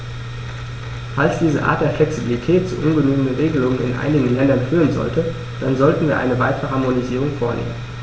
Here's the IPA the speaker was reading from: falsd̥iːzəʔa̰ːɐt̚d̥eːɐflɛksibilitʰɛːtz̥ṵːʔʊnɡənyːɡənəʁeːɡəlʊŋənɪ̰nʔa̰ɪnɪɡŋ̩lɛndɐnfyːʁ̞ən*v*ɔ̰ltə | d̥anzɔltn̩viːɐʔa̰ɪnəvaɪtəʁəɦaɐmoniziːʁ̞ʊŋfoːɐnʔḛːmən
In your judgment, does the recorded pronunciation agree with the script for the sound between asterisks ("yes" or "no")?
no